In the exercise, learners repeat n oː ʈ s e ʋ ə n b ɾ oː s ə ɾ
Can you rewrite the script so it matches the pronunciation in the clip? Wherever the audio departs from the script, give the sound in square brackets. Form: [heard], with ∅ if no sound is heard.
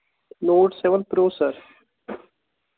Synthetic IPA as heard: n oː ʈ s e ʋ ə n [p] ɾ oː s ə ɾ

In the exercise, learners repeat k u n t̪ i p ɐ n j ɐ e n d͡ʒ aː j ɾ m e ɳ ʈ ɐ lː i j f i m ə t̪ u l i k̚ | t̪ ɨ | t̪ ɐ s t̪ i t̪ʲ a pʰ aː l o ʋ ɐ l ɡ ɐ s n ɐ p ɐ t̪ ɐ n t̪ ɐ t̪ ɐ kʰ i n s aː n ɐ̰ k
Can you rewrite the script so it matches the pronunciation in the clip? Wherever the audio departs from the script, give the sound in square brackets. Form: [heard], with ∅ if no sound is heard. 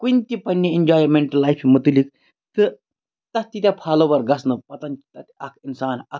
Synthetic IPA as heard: k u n t̪ i p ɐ n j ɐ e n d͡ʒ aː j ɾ m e ɳ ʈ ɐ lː [a] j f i m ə t̪ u l i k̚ | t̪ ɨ | t̪ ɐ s t̪ i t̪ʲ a pʰ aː l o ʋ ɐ [ɾ] ɡ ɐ s n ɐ p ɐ t̪ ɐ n t̪ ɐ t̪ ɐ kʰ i n s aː n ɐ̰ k

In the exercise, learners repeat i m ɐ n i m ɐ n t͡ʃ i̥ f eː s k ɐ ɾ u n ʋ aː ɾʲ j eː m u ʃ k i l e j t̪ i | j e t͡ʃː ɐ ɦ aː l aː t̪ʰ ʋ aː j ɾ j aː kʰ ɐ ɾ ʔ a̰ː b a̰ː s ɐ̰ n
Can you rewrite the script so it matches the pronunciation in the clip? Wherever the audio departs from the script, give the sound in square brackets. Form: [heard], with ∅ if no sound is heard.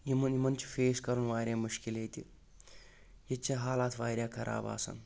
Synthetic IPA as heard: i m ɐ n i m ɐ n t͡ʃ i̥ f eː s k ɐ ɾ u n ʋ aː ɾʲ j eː m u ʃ k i l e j t̪ i | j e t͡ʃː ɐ ɦ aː l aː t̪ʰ ʋ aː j ɾ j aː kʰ ɐ ɾ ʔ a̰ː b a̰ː s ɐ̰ n

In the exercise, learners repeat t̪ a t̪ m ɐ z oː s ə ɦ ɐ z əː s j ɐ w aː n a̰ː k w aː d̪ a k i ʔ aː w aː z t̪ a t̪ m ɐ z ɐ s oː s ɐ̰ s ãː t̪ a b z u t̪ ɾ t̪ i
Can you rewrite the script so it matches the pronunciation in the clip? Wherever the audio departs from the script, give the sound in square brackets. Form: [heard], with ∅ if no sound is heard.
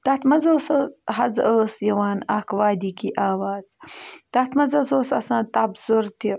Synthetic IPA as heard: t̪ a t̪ m ɐ z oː s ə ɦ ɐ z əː s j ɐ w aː n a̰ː k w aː d̪ [i] k i ʔ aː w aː z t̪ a t̪ m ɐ z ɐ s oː s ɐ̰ s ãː t̪ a b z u [∅] ɾ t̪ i

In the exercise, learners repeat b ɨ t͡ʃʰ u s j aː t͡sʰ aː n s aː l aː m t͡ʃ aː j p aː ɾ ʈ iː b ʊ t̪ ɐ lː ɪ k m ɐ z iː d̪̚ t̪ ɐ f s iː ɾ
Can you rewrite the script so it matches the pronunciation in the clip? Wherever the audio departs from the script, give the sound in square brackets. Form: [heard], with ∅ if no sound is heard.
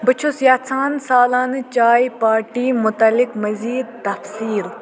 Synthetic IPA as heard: b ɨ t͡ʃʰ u s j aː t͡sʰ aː n s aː l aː [n] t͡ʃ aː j p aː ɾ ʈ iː [m] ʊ t̪ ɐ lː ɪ k m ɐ z iː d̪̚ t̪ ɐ f s iː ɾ

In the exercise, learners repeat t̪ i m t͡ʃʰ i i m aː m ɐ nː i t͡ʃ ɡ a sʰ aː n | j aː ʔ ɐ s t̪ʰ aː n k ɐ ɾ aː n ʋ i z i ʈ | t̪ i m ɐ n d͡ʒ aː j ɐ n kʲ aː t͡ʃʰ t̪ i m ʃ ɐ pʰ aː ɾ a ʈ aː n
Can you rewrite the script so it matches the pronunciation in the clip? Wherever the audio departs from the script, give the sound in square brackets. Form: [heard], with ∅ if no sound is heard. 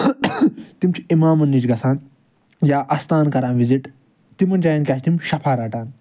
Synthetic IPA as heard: t̪ i m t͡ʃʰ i i m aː m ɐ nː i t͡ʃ ɡ [ɐ] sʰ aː n | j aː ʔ ɐ s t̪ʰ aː n k ɐ ɾ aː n ʋ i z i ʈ | t̪ i m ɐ n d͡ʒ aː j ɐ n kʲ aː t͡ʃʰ t̪ i m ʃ ɐ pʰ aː ɾ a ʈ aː n

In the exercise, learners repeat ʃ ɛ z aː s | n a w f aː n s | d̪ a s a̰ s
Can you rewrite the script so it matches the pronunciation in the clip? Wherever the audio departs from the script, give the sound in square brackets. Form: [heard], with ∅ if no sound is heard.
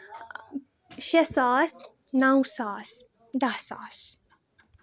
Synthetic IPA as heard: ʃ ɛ [s] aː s | n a w [s] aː [∅] s | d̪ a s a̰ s

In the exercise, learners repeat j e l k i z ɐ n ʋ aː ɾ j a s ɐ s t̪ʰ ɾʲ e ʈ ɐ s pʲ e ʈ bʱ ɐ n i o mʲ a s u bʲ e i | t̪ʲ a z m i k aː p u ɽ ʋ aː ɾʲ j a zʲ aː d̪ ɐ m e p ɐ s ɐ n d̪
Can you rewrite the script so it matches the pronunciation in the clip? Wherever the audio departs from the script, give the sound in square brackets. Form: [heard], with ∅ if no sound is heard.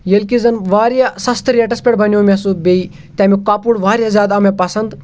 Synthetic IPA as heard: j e l k i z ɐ n ʋ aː ɾ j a s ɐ s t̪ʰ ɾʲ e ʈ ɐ s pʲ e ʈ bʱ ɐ n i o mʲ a s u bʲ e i | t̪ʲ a [∅] m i k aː p u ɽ ʋ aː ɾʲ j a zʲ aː d̪ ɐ m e p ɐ s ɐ n d̪

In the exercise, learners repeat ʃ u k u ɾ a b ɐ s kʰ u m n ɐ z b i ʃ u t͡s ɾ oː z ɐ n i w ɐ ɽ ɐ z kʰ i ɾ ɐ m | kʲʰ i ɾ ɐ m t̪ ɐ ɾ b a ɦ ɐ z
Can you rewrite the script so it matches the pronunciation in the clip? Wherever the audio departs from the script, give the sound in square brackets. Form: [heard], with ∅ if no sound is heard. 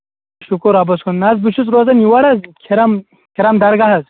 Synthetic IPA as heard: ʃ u k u ɾ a b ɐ s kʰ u [n] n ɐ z b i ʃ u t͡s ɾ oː z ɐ n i w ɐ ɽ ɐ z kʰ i ɾ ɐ m | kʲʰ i ɾ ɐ m [d̪] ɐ ɾ [ɡ] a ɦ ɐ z

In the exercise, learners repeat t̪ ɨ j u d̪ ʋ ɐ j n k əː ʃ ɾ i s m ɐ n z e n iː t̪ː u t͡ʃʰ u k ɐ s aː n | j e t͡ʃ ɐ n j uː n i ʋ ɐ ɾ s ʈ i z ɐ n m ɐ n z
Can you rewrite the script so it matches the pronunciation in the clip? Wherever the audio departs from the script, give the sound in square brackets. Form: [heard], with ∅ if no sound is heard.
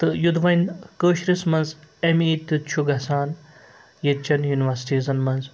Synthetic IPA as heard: t̪ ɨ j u d̪ ʋ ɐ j n k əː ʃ ɾ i s m ɐ n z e [m] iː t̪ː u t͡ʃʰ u [ɡ] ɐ s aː n | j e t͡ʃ ɐ n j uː n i ʋ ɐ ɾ s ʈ i z ɐ n m ɐ n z

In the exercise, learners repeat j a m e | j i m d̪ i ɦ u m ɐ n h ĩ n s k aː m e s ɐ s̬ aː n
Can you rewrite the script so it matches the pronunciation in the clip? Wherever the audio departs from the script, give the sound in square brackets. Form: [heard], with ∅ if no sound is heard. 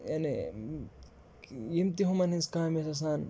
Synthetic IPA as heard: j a [n] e | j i m [t̪] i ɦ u m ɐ n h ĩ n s k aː m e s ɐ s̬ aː n

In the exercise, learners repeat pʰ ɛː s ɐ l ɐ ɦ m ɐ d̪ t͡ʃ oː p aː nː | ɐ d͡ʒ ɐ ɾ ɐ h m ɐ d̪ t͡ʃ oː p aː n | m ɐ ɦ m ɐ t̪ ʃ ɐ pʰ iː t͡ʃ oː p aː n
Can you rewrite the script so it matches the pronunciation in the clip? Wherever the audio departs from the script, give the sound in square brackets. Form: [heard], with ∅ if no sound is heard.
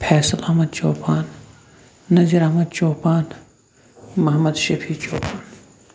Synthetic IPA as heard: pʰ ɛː s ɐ l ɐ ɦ m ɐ d̪ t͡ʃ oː p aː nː | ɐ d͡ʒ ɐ ɾ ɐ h m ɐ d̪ t͡ʃ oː p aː n | m ɐ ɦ m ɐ [d̪] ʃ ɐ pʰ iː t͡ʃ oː p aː n

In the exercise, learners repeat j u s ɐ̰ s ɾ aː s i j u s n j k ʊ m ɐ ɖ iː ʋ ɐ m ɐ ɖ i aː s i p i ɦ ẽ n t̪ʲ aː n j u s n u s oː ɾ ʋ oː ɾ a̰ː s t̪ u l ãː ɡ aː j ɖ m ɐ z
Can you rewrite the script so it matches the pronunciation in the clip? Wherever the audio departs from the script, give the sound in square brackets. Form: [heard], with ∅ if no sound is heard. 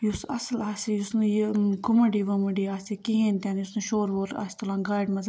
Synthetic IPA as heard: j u s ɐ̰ s [l] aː s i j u s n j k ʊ m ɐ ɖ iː ʋ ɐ m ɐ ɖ i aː s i [k] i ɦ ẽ n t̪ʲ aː n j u s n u [ʃ] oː ɾ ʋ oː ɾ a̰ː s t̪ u l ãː ɡ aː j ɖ m ɐ z

